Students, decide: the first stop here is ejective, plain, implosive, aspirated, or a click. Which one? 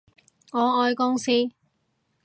plain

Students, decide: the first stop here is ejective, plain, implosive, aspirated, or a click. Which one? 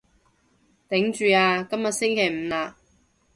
plain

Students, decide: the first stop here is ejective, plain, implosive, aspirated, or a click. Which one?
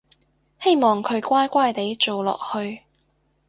aspirated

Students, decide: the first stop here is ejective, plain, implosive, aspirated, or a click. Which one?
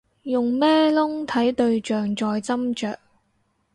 aspirated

